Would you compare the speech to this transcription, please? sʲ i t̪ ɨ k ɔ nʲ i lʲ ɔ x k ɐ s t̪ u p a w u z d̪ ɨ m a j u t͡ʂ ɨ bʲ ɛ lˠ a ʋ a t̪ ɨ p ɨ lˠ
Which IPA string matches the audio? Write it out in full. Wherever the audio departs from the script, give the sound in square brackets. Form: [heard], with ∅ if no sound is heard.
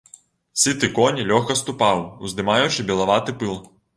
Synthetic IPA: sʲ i t̪ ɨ k ɔ nʲ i lʲ ɔ x k ɐ s t̪ u p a w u z d̪ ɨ m a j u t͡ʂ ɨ bʲ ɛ lˠ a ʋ a t̪ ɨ p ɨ lˠ

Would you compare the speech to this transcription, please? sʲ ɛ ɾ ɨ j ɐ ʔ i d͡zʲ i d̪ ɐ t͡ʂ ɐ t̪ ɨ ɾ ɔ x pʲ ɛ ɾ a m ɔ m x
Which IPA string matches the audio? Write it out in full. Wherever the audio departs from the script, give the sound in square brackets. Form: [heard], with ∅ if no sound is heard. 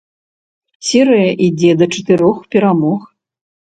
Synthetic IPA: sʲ ɛ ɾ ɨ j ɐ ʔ i d͡zʲ [ɛ] d̪ ɐ t͡ʂ ɐ t̪ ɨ ɾ ɔ x pʲ ɛ ɾ a m ɔ [∅] x

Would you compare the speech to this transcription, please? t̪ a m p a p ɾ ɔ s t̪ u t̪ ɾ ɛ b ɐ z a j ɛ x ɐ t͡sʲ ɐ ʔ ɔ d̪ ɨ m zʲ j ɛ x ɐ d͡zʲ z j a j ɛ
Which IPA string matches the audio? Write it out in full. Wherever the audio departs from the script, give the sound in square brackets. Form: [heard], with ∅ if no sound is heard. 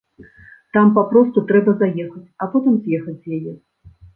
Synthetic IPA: t̪ a m p a p ɾ ɔ s t̪ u t̪ ɾ ɛ b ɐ z a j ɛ x ɐ t͡sʲ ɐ [p] ɔ [t̪] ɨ m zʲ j ɛ x ɐ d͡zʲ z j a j ɛ

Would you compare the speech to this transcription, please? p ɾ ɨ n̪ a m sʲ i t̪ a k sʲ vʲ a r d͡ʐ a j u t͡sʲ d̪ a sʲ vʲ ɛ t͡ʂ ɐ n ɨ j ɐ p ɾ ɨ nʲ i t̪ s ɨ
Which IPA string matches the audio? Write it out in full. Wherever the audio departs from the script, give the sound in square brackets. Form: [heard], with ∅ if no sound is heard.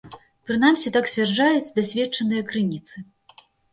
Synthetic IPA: p ɾ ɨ n̪ a m sʲ i t̪ a k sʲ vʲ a r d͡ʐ a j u t͡sʲ d̪ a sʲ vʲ ɛ t͡ʂ ɐ n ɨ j ɐ [k] ɾ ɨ nʲ i t̪ s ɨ

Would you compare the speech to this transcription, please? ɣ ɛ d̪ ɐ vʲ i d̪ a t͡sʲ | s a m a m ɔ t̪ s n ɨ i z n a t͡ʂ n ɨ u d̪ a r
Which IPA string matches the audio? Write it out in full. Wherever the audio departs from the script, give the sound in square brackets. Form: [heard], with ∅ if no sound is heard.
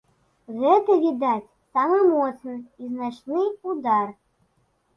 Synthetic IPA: ɣ ɛ [t̪] ɐ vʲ i d̪ a t͡sʲ | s a m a m ɔ t̪ s n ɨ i z n a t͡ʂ n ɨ u d̪ a r

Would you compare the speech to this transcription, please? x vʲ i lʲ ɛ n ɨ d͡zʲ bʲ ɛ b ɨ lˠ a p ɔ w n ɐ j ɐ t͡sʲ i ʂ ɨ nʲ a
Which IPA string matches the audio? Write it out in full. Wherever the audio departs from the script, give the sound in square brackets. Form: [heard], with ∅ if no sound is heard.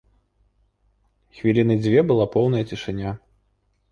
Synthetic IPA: x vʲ i lʲ [i] n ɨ d͡zʲ [vʲ] ɛ b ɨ lˠ a p ɔ w n ɐ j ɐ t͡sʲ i ʂ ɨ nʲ a

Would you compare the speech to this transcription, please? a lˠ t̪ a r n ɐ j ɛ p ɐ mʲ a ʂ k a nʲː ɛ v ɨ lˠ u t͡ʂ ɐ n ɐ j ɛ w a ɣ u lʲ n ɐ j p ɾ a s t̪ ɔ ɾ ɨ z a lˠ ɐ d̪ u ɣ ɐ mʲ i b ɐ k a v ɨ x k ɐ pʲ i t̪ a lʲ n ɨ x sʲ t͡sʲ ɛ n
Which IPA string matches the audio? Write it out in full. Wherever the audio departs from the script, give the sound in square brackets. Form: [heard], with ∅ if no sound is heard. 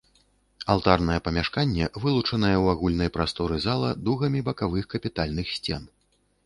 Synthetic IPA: a lˠ t̪ a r n ɐ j ɛ p ɐ mʲ a ʂ k a nʲː ɛ v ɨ lˠ u t͡ʂ ɐ n ɐ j ɛ w a ɣ u lʲ n ɐ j p ɾ a s t̪ ɔ ɾ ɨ z a lˠ ɐ d̪ u ɣ ɐ mʲ i b ɐ k a v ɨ x k ɐ pʲ i t̪ a lʲ n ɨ x sʲ t͡sʲ ɛ n

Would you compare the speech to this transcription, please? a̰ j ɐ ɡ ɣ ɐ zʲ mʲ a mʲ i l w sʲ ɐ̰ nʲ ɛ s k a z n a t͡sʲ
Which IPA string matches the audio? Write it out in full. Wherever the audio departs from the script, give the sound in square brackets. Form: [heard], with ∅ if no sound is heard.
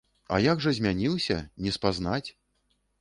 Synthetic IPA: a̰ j [a] ɡ [ʐ] ɐ zʲ mʲ a [nʲ] i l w sʲ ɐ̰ nʲ ɛ s [p] a z n a t͡sʲ

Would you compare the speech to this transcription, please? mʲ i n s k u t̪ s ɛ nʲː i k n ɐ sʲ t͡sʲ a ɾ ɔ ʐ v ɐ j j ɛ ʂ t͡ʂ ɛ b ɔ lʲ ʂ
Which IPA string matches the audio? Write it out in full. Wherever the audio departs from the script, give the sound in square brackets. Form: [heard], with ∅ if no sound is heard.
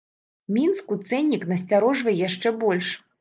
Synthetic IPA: mʲ i n s k u t̪ s ɛ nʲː i k n ɐ sʲ t͡sʲ a ɾ ɔ ʐ v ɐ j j [a] ʂ t͡ʂ ɛ b ɔ lʲ ʂ

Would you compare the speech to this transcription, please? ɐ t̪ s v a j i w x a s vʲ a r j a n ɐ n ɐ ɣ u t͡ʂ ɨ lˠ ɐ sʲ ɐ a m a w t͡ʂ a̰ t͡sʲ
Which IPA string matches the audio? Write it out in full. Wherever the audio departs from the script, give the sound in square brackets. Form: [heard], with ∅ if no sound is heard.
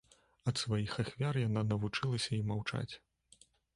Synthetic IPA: ɐ t̪ s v a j i [∅] x a [x] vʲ a r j a n [a] n ɐ [v] u t͡ʂ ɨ lˠ ɐ sʲ ɐ [i] m a w t͡ʂ a̰ t͡sʲ

